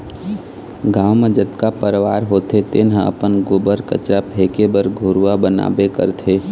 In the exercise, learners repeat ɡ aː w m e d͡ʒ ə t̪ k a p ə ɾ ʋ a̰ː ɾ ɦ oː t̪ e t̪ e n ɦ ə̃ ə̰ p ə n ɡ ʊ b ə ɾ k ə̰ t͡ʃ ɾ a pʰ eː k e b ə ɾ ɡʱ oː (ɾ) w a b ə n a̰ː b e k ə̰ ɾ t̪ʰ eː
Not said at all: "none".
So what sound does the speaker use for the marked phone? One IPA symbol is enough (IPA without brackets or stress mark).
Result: ɾ